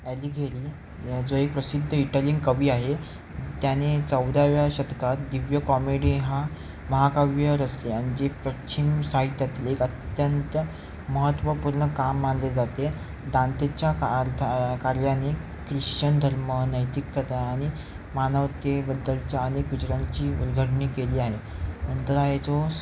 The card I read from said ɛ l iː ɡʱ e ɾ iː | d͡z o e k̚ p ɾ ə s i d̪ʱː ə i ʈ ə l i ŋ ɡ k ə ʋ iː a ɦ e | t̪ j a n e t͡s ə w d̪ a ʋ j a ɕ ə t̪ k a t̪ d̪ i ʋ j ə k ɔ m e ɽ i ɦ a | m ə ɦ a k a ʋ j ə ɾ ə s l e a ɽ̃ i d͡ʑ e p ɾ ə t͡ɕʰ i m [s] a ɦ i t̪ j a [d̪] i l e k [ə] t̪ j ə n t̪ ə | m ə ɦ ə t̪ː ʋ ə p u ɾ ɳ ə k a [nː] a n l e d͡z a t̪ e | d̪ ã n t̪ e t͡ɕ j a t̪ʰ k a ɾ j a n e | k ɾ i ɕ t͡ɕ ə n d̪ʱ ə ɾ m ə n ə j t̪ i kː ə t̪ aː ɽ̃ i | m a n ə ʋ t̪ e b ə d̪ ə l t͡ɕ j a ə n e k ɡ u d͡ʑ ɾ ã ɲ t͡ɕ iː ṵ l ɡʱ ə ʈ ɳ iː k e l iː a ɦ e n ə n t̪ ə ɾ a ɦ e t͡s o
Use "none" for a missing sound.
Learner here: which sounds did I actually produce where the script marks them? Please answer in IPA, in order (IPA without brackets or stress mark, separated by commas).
s, t̪, ə, mː